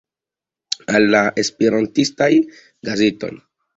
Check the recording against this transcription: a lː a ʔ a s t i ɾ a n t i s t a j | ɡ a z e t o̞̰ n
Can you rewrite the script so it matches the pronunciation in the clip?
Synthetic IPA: a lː a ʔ e s p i ɾ a n t i s t a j | ɡ a z e t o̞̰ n